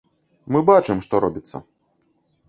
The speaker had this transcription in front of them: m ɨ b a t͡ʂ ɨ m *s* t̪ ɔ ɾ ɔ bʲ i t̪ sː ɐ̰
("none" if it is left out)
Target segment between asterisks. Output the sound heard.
ʂ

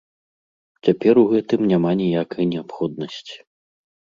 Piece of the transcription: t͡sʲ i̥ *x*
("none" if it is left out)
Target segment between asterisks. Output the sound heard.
none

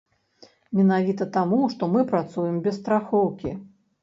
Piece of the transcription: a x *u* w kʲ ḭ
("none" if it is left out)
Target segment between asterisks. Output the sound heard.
ɔ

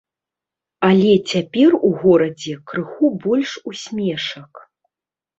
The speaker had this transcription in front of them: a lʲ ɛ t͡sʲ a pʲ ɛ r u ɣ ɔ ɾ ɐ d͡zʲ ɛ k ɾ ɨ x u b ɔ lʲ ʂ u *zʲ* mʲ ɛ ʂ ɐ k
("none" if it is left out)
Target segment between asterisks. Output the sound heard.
sʲ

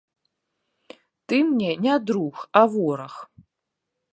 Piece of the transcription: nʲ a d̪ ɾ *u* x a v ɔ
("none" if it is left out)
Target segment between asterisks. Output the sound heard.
u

